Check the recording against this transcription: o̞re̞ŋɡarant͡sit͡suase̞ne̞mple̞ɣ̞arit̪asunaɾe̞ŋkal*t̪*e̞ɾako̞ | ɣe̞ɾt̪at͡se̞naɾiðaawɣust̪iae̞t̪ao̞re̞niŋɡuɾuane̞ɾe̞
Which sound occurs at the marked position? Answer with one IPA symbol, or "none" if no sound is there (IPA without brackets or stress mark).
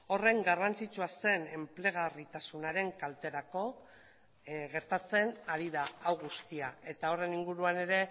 t̪